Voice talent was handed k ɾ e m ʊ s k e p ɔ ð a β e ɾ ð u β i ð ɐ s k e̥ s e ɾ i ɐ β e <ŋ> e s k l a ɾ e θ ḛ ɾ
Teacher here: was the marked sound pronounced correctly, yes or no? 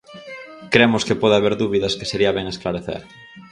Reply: yes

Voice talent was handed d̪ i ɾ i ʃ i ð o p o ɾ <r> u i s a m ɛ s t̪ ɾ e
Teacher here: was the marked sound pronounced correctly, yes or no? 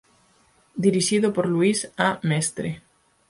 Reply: no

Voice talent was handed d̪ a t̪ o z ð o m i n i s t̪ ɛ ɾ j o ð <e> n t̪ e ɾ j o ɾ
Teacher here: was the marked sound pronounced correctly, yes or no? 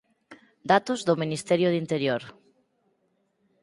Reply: no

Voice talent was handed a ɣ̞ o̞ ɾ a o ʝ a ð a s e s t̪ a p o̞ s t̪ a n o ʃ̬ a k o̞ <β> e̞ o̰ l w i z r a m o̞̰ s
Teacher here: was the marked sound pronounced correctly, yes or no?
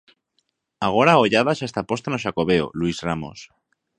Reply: yes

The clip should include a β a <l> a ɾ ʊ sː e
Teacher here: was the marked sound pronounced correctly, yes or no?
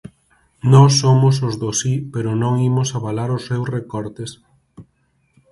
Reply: yes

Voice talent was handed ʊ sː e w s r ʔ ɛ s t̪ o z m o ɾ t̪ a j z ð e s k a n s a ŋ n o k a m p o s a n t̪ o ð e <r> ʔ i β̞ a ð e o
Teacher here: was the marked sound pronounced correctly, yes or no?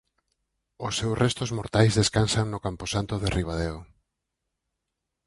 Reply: yes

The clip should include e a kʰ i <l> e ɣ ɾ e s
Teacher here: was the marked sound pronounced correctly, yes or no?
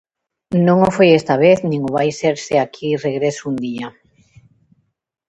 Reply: no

